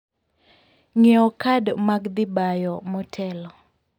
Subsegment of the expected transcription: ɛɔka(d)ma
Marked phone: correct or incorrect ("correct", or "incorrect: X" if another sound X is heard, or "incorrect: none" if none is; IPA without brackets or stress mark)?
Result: correct